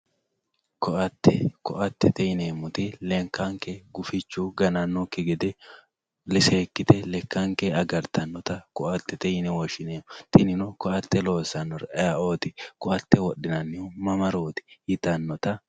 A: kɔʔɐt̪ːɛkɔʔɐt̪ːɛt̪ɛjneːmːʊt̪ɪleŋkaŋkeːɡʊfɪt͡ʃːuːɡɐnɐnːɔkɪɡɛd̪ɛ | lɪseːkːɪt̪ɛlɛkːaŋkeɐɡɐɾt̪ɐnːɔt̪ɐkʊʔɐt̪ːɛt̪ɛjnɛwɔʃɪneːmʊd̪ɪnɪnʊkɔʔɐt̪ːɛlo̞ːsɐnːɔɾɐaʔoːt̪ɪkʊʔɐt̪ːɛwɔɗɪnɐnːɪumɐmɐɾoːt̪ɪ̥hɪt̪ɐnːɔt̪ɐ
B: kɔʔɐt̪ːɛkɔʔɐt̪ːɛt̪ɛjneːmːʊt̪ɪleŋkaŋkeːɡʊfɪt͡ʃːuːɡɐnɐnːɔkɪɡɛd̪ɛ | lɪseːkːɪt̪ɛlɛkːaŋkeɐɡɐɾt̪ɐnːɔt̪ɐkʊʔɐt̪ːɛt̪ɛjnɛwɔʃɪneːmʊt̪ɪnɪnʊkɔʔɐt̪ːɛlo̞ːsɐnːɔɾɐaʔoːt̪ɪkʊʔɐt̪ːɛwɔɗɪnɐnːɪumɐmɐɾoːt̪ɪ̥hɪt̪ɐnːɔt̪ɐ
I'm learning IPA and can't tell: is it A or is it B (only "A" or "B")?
B